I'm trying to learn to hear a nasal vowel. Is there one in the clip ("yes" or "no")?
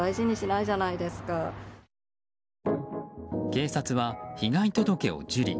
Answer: no